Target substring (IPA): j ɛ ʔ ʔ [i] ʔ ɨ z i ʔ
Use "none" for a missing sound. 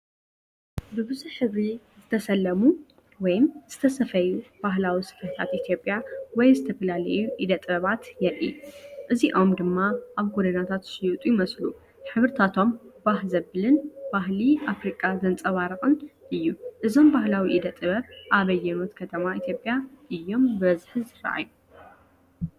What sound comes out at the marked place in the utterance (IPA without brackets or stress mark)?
i